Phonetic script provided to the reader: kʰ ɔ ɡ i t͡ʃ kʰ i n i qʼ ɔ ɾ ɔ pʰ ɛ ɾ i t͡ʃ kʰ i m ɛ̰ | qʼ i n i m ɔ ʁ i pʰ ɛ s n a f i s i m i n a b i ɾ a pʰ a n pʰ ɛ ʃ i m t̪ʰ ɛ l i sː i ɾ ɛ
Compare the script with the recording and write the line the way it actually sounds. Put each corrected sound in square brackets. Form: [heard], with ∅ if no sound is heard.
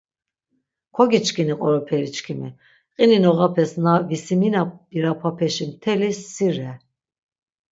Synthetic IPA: kʰ ɔ ɡ i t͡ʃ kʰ i n i qʼ ɔ ɾ ɔ pʰ ɛ ɾ i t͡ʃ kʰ i m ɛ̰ | qʼ i n i [n] ɔ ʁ [a] pʰ ɛ s n a [v] i s i m i n a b i ɾ a pʰ a [∅] pʰ ɛ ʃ i m t̪ʰ ɛ l i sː i ɾ ɛ